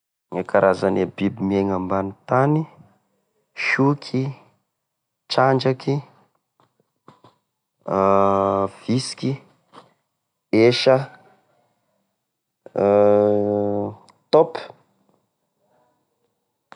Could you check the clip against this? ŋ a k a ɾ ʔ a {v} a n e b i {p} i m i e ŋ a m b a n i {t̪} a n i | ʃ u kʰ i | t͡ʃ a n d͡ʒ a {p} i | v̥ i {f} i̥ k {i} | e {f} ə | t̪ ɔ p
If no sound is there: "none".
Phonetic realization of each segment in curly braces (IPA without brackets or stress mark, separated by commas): z, b, t̪, k, s, i, ʃ